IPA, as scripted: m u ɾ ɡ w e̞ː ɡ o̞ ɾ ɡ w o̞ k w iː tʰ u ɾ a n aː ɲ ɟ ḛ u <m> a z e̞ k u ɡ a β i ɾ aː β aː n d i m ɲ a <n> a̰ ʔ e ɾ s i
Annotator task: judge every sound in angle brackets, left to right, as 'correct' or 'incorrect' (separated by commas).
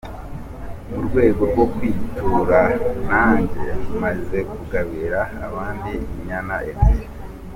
correct, correct